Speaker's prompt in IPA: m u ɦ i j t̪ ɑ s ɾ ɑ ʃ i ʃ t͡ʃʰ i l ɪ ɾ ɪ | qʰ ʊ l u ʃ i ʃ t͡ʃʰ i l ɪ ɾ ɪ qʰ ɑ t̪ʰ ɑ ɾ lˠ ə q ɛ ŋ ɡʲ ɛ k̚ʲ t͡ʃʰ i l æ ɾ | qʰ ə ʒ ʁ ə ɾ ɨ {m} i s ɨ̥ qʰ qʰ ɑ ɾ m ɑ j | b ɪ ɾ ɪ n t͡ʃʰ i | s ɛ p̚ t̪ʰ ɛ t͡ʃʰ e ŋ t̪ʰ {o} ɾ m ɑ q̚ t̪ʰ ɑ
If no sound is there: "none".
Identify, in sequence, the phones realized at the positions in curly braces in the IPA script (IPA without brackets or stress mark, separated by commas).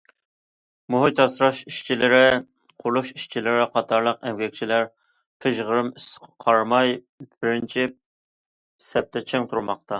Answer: m, u